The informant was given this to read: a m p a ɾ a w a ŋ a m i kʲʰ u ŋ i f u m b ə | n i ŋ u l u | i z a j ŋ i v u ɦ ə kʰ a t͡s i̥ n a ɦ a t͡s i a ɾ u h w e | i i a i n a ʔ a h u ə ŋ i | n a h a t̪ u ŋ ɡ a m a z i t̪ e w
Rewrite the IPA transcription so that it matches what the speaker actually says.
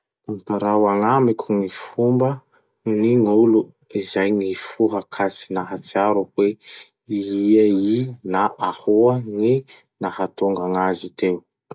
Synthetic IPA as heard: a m p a ɾ a w a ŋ a m i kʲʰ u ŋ i f u m b ə | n i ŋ u l u | i z a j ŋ i f u ɦ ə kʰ a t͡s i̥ n a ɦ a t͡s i a ɾ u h w e | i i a i n a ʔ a h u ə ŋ i | n a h a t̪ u ŋ ɡ a ŋ a z i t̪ e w